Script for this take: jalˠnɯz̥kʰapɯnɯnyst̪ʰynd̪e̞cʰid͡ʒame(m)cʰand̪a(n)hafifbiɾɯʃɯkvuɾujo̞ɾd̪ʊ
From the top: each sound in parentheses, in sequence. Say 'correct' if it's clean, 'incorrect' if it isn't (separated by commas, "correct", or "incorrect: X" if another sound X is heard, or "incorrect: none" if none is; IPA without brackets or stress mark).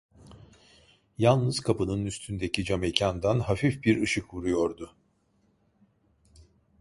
incorrect: none, correct